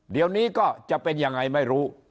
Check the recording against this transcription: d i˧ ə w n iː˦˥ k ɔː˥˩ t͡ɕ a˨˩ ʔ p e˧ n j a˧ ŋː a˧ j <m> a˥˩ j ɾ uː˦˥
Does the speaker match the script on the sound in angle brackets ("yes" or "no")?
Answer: yes